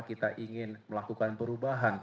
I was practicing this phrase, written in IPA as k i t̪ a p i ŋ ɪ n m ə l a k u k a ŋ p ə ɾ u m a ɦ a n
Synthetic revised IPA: k i t̪ a ʔ i ŋ ɪ n m ə l a k u k a n p ə ɾ u b a ɦ a n